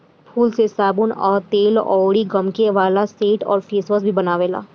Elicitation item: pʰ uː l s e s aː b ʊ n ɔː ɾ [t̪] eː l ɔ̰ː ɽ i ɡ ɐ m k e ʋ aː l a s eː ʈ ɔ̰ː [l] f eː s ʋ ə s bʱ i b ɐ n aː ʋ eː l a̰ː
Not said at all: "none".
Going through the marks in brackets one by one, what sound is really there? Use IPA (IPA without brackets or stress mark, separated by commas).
t̪, ɾ